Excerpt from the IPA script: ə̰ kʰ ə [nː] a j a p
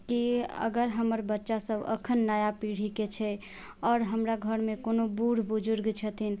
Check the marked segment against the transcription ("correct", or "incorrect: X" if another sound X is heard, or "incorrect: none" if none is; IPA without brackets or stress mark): correct